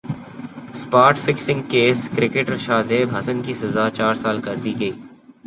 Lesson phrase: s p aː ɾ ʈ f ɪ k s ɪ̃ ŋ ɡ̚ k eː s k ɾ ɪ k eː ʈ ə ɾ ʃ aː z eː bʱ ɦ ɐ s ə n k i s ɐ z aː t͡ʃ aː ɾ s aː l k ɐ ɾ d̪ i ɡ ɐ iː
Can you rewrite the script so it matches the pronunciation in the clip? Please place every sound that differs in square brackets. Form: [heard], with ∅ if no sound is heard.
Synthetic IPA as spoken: s p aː ɾ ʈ f ɪ k s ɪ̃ ŋ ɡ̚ k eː s k ɾ ɪ k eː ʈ ə ɾ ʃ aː z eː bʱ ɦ ɐ s ə n k i s ɐ z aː t͡ʃ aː ɾ s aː l k ɐ ɾ d̪ i ɡ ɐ iː